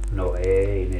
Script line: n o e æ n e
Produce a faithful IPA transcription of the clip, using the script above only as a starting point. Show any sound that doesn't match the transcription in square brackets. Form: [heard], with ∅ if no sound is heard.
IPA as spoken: n o e [i] n e